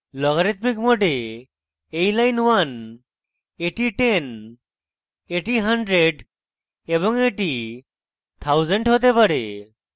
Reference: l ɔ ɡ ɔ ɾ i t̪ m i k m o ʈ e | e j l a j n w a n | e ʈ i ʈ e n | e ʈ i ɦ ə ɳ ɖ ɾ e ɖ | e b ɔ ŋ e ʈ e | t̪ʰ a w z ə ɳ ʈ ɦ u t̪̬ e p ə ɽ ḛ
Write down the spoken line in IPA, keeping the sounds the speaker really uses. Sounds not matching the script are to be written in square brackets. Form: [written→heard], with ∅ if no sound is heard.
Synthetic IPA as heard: l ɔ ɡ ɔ ɾ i t̪ m i k m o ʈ e | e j l a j n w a n | e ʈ i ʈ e n | e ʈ i ɦ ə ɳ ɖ ɾ e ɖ | e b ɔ ŋ e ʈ [e→i] | t̪ʰ a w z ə ɳ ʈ ɦ [u→o] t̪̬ e p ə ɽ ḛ